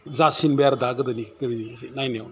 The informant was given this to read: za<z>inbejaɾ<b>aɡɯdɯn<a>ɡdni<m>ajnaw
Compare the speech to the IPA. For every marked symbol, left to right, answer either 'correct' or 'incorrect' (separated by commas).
incorrect, incorrect, incorrect, incorrect